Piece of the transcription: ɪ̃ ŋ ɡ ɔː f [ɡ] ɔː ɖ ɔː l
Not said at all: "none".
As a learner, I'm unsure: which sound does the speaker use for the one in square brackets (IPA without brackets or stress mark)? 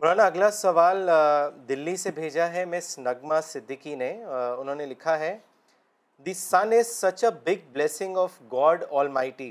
ɡ